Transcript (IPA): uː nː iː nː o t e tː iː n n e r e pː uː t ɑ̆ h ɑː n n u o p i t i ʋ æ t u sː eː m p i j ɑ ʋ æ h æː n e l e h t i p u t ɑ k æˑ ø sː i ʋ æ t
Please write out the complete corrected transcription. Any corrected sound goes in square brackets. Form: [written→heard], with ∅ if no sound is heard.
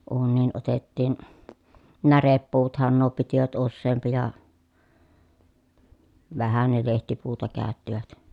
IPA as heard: uː nː iː [nː→n] o t e tː iː n n [e→æ] r e pː uː t ɑ̆ h [ɑː→ɑ] n n u o p i t i ʋ æ t u sː eː m p i j ɑ ʋ æ h [æː→æ] n e l e h t i p [u→uː] t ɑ k æˑ ø [sː→tː] i ʋ æ t